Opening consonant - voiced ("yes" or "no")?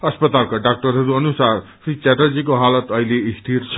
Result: no